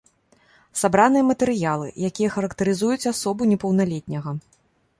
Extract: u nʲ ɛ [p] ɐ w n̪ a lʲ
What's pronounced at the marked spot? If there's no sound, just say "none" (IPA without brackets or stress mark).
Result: p